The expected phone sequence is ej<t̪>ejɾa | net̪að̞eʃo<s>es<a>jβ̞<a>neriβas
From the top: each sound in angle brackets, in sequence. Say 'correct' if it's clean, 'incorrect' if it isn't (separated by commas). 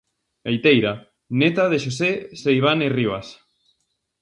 correct, correct, incorrect, correct